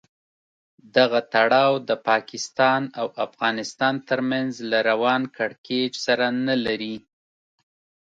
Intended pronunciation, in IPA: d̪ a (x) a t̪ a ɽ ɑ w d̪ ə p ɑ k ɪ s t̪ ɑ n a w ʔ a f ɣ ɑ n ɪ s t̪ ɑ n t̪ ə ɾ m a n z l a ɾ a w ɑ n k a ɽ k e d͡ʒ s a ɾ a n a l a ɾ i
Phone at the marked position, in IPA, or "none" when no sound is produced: ɣ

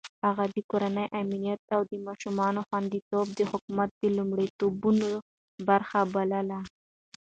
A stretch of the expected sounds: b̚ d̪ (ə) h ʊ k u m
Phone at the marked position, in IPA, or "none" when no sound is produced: ə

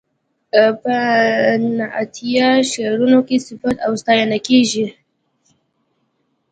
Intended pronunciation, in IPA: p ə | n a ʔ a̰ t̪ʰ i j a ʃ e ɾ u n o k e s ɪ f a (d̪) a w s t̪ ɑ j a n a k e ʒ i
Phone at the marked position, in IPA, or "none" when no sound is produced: t̪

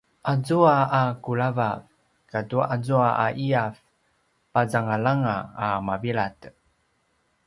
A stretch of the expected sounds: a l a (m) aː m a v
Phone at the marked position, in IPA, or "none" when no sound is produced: ŋ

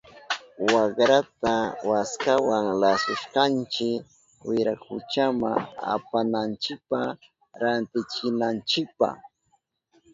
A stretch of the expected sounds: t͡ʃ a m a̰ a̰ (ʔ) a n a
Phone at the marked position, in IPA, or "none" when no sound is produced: p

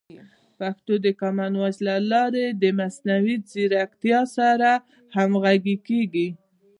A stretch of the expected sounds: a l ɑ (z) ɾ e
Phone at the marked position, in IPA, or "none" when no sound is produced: none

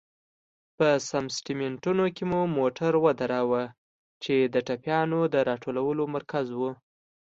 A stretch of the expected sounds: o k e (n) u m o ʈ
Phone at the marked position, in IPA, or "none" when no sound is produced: m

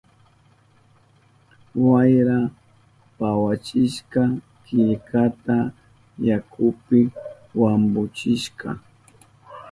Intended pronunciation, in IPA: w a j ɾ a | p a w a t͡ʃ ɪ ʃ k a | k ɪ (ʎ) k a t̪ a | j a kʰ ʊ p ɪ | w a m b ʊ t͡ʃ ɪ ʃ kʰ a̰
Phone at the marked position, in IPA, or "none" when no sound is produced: ʎ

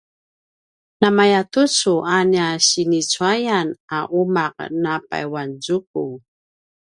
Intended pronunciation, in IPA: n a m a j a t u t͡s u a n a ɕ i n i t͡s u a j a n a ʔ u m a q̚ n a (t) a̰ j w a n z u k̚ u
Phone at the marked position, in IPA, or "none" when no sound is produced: p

